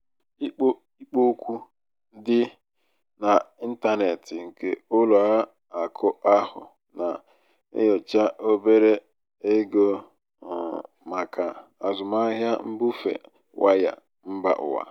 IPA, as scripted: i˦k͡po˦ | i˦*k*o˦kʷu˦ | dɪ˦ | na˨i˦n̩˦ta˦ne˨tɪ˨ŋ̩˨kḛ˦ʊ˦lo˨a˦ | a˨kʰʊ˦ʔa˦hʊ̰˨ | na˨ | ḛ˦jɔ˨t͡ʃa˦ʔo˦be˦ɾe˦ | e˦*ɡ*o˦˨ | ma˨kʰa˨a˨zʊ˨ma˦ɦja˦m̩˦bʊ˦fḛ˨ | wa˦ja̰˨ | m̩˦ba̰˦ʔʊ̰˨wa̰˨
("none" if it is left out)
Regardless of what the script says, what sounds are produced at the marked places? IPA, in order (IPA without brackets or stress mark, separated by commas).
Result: k͡p, ɡ